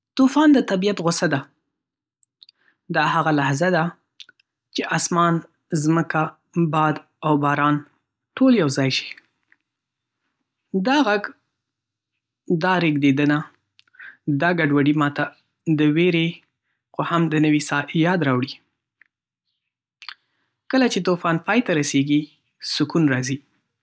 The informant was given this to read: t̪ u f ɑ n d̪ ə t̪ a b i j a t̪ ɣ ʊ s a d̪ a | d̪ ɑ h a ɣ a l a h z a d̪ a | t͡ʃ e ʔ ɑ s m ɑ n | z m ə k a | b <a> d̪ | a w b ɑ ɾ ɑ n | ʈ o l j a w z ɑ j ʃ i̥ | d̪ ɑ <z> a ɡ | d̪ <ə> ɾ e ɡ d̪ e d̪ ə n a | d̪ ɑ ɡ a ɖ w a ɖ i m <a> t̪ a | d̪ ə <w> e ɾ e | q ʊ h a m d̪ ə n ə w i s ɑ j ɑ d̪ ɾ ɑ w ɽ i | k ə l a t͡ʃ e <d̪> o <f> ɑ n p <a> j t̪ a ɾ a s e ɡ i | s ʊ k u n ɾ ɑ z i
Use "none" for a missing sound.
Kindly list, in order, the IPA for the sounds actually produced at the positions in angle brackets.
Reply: ɑ, ɣ, ɑ, ɑ, w, t̪, f, ɑ

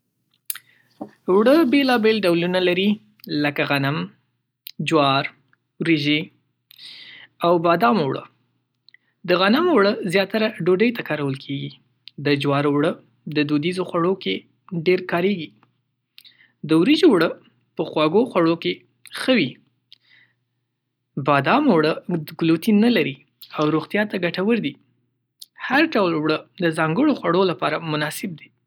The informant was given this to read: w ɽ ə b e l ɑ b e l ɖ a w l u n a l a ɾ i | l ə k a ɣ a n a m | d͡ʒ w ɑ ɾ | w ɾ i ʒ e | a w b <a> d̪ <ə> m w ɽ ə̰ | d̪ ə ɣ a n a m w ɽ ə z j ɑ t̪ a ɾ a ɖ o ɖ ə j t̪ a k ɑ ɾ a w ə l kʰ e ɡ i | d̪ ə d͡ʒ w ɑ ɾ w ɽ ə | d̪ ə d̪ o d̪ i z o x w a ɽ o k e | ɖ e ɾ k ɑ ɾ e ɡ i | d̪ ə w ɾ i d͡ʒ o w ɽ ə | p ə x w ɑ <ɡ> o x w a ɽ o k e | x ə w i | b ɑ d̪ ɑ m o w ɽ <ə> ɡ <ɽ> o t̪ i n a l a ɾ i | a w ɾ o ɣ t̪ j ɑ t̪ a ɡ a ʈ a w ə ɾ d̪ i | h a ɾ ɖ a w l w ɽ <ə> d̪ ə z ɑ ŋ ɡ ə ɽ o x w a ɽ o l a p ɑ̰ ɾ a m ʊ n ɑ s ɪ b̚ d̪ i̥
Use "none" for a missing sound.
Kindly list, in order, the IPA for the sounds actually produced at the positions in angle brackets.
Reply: ɑ, ɑ, ɡ, ə, l, ə

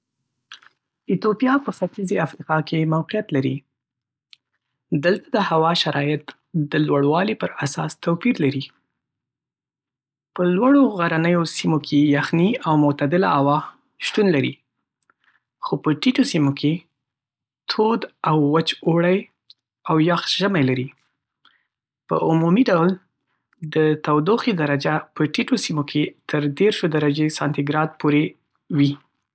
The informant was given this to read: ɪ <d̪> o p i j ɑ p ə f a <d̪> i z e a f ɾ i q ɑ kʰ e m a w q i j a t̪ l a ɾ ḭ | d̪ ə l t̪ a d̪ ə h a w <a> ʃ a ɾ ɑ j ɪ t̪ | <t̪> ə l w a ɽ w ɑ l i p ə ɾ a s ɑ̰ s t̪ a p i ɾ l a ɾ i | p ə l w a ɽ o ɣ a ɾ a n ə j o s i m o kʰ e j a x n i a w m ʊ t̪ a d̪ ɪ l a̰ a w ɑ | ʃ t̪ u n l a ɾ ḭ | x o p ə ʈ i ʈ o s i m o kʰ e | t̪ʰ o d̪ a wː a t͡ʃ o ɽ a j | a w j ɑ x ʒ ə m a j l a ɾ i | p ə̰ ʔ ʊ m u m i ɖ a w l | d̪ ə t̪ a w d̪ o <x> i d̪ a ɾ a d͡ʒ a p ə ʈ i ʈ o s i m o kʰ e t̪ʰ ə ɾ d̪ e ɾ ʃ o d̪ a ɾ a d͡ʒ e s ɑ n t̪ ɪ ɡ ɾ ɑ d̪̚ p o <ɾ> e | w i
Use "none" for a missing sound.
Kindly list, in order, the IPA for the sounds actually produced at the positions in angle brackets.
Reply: t̪, t̪, ɑ, d̪, x, ɾ

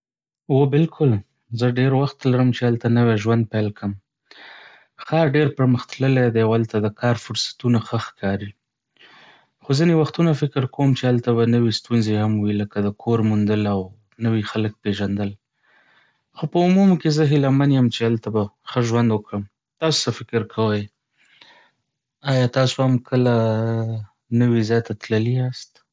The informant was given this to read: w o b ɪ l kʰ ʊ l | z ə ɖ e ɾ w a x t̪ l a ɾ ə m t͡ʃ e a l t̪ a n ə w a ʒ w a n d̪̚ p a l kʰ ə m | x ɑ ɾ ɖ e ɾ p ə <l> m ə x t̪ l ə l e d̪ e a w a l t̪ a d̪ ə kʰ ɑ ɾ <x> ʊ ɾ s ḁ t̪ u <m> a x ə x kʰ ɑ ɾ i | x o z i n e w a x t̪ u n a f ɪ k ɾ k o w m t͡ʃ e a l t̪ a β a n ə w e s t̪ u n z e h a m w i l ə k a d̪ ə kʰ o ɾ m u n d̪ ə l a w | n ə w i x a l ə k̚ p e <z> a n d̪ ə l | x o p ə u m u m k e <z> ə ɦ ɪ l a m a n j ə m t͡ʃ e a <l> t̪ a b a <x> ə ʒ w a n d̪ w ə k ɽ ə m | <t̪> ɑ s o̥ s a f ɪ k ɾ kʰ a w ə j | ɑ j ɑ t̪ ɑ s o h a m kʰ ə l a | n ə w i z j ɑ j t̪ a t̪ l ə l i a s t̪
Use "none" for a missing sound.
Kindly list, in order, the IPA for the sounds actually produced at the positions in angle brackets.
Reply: ɾ, f, n, ʒ, z, l, x, t̪

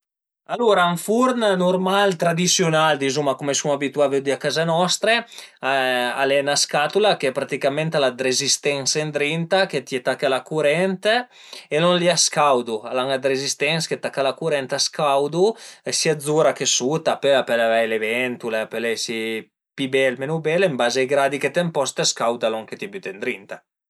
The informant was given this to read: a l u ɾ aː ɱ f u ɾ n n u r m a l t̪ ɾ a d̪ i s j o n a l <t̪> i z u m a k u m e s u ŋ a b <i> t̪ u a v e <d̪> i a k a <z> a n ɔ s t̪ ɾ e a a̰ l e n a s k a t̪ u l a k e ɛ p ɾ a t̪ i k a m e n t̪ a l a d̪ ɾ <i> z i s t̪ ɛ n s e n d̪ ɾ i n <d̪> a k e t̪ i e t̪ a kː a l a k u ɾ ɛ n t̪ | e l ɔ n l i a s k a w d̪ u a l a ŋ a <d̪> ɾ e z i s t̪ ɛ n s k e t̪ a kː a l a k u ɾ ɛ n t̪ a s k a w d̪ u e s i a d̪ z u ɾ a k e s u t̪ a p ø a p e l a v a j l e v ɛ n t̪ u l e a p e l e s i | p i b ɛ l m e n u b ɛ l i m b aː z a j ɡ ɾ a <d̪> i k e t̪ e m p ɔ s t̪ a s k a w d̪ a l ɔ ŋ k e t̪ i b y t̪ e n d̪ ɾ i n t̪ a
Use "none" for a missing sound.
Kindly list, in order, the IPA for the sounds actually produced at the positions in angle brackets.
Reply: d̪, i, d̪, z, e, t̪, d̪, d̪

